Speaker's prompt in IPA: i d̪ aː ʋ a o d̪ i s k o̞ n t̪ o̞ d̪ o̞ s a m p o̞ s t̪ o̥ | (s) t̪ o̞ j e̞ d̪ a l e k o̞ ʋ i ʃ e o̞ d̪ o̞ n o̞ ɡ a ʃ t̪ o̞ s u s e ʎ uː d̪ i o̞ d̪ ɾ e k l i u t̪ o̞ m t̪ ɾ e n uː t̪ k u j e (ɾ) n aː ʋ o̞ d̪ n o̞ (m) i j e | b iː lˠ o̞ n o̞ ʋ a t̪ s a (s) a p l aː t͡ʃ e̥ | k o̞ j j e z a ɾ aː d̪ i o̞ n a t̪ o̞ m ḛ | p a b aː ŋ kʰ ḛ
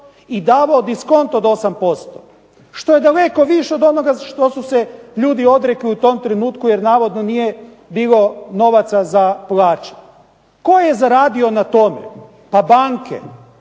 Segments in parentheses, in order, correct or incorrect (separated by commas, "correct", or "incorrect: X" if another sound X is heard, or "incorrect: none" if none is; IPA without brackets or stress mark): incorrect: ʃ, correct, incorrect: n, incorrect: z